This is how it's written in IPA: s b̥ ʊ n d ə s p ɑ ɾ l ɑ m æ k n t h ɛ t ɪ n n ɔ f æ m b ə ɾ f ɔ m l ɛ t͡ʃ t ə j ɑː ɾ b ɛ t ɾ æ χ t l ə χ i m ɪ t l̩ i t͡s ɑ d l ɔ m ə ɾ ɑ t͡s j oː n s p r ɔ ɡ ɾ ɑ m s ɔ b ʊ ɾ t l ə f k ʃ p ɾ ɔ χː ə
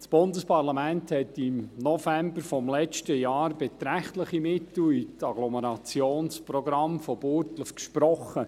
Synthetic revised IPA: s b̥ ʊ n d ə s p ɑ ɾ l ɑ m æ n t h ɛ t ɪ m n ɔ f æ m b ə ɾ f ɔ m l ɛ t͡ʃ t ə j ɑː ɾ b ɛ t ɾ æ χ t l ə χ i m ɪ t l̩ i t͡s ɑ ɡ l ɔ m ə ɾ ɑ t͡s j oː n s p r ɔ ɡ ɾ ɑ m f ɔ b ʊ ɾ t l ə f k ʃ p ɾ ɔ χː ə